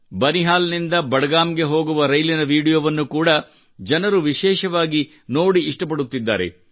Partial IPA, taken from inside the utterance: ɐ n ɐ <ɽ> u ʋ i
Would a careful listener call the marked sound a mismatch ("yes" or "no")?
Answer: yes